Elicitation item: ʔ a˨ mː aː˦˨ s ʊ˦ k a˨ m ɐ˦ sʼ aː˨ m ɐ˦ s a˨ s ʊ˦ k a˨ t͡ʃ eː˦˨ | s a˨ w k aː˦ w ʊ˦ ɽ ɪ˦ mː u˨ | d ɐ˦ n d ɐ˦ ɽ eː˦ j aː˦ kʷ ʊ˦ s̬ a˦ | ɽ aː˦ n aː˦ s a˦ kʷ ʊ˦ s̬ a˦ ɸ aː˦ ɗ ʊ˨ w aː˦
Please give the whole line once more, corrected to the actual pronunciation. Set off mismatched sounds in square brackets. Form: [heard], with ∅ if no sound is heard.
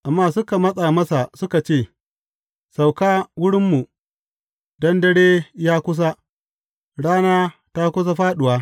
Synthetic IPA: ʔ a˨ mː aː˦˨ s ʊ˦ k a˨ m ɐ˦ sʼ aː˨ m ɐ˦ s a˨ s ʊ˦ k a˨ t͡ʃ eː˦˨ | s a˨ w k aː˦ w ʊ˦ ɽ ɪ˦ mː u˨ | d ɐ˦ n d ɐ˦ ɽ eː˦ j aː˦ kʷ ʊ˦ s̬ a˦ | ɽ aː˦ n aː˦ [t] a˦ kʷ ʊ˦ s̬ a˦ ɸ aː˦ ɗ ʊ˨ w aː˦